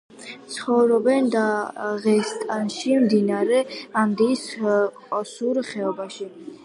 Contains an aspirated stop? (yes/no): no